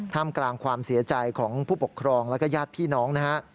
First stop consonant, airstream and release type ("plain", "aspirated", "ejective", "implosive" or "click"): aspirated